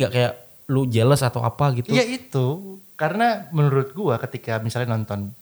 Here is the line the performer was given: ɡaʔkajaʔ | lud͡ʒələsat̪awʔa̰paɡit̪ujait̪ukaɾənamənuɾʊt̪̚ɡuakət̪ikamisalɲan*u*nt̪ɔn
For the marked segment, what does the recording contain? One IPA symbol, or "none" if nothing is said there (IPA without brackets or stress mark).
ɔ